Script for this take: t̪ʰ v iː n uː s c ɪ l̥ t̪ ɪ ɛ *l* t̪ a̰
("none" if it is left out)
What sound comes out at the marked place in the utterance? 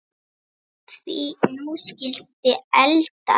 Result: l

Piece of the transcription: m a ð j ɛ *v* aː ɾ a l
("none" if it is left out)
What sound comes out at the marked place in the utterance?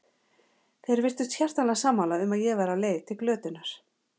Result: v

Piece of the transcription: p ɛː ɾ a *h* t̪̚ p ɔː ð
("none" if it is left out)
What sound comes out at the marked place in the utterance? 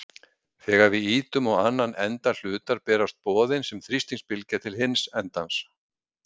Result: s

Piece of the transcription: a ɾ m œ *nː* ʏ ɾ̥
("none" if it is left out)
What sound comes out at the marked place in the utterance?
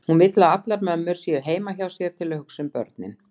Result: mː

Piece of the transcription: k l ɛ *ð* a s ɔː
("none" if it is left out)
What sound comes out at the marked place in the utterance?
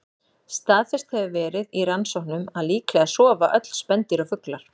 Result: ɣ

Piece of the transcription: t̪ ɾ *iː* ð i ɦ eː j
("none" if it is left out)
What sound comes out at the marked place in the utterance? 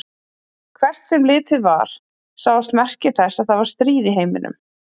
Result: iː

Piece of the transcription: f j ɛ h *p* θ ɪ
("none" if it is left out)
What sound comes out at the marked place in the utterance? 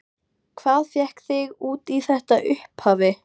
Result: k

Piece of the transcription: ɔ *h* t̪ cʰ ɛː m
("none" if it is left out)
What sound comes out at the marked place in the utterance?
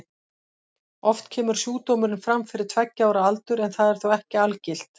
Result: f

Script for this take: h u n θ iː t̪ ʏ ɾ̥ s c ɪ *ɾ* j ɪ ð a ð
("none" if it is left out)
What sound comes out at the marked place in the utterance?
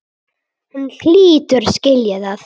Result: l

